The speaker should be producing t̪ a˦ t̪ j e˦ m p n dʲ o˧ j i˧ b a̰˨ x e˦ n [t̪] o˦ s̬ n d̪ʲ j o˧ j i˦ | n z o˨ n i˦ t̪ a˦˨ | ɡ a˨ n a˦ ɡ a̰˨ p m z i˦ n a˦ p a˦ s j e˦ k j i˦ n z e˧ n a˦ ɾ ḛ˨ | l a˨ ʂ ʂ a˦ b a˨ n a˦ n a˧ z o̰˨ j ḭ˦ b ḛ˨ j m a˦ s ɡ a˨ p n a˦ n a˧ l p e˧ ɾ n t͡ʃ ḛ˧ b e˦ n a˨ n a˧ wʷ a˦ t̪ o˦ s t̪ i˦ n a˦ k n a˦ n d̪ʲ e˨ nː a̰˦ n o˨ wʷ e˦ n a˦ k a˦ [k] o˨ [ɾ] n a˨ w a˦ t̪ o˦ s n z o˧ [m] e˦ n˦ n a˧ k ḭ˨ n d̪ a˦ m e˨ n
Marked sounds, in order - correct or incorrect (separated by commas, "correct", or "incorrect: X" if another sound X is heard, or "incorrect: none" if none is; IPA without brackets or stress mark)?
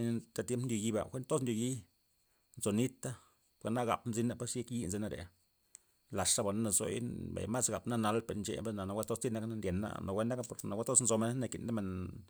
correct, incorrect: p, correct, correct